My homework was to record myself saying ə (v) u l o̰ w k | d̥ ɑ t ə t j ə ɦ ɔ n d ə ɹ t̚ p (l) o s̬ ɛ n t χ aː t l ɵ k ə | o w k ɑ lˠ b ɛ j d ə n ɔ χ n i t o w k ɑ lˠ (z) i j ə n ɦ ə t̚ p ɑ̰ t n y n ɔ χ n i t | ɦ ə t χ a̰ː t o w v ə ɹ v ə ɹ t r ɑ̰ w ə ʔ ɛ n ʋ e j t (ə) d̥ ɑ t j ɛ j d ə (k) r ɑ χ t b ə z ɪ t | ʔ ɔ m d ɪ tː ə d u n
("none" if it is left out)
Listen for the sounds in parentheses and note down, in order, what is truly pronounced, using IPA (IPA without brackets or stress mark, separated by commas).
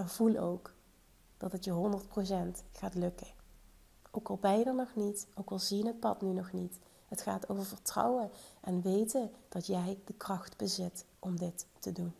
v, r, z, ə, k